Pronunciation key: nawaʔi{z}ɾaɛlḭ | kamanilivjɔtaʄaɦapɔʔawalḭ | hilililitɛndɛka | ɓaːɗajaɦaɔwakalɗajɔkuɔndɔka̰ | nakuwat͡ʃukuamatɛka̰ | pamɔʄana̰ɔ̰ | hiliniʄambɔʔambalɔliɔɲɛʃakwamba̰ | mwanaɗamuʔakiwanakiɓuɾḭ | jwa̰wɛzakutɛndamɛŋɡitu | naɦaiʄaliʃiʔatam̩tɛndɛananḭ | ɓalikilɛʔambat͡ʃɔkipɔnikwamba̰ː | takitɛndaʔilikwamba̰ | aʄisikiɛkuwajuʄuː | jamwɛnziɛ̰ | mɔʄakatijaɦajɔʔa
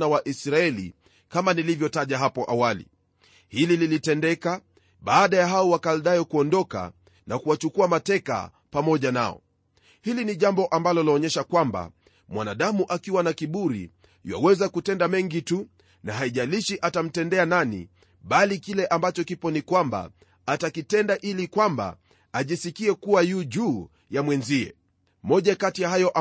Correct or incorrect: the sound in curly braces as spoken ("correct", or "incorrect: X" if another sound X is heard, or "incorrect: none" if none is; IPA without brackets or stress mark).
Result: incorrect: s